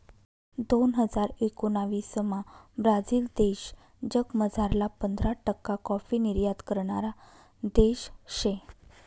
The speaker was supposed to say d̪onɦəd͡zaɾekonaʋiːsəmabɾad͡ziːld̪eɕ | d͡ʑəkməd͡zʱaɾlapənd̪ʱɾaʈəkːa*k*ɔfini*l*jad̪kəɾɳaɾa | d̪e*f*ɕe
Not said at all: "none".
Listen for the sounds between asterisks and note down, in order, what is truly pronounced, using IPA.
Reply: k, ɾ, ɕ

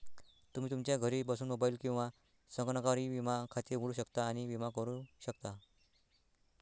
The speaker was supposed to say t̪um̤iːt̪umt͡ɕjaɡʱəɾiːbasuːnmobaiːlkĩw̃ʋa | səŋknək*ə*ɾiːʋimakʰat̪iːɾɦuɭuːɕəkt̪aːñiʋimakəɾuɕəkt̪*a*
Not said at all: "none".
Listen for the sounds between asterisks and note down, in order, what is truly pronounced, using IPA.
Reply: a, a

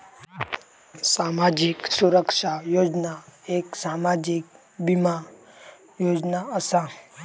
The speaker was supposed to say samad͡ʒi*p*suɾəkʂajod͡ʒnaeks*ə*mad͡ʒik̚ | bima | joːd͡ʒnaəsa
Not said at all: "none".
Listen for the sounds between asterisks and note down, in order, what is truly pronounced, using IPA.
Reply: k, a

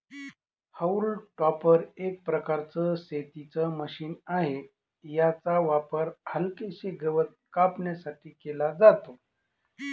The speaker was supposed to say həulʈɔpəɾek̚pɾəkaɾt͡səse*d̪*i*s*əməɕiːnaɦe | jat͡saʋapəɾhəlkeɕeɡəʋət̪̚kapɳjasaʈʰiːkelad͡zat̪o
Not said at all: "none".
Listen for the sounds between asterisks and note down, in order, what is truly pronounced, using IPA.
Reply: t̪, t͡s

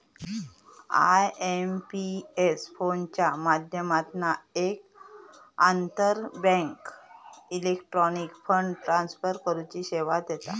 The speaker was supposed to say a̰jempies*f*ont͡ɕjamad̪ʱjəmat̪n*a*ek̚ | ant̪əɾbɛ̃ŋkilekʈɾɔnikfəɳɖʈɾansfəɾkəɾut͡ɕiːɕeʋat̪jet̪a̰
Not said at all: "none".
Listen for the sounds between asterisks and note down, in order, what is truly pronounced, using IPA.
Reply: f, a

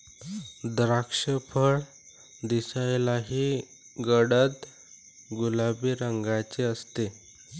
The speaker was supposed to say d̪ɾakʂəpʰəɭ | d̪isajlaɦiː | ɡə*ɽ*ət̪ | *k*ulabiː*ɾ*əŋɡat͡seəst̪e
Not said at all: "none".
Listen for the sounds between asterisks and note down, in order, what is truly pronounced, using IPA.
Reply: ɽ, ɡ, ɾ

